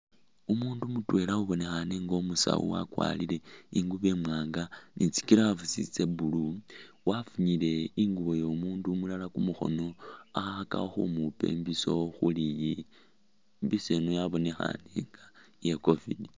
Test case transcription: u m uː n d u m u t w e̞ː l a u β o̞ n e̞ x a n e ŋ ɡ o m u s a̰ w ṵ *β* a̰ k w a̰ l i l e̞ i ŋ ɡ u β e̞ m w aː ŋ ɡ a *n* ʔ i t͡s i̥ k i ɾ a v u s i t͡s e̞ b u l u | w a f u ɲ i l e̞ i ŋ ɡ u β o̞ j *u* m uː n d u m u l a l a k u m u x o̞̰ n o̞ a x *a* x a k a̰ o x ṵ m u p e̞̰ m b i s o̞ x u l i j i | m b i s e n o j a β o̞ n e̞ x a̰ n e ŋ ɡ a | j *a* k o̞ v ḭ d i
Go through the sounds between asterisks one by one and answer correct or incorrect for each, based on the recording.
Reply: incorrect: w, correct, incorrect: o, correct, incorrect: e

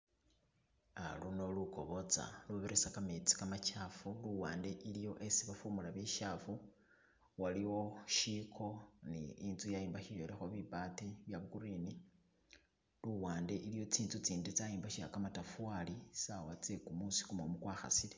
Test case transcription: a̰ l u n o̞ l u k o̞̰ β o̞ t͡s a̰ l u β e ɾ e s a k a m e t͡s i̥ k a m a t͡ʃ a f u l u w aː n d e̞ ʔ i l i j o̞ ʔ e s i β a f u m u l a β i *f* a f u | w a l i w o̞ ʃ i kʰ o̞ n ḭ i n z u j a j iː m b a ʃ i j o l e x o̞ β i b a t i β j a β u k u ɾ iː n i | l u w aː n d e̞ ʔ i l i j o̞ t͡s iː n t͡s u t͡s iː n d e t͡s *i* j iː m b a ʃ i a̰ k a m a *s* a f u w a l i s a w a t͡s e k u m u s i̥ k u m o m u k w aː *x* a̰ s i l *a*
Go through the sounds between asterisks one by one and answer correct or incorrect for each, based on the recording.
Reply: incorrect: ʃ, incorrect: a, incorrect: t, correct, incorrect: e

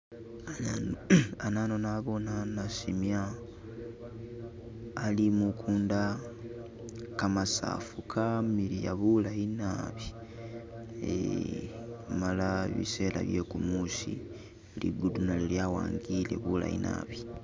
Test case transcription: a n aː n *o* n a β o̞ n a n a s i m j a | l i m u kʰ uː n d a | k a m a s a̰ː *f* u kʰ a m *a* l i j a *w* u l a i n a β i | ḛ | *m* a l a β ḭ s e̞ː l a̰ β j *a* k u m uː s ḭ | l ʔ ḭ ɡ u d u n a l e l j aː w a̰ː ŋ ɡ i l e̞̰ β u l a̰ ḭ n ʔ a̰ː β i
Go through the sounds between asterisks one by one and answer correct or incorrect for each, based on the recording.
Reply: correct, correct, incorrect: i, incorrect: β, correct, incorrect: e

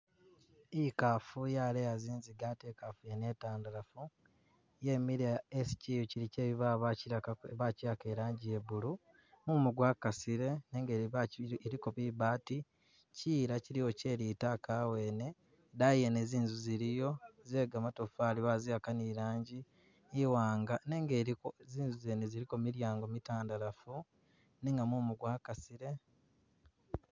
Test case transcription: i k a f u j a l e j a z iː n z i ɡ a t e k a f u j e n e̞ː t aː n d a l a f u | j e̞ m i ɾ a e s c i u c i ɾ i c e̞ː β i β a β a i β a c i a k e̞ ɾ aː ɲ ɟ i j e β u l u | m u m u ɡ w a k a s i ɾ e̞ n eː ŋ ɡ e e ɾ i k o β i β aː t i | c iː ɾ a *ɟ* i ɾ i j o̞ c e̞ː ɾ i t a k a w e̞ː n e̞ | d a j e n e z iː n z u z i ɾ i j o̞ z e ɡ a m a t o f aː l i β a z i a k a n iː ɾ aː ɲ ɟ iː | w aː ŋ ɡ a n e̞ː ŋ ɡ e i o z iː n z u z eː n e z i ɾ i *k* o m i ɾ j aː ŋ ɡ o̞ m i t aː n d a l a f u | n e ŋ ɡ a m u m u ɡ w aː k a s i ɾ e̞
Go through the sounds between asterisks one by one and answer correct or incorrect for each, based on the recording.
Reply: incorrect: c, correct

